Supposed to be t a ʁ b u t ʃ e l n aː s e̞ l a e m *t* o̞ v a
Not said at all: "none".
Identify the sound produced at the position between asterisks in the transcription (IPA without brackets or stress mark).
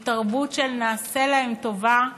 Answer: t